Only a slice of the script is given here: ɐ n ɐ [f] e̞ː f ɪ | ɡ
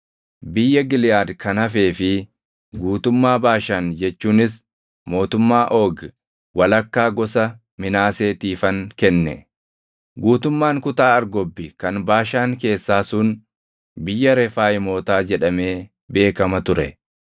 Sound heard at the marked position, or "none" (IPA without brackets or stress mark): f